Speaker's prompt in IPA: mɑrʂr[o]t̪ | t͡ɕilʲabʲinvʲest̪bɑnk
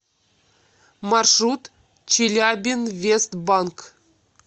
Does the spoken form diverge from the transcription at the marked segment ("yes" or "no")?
yes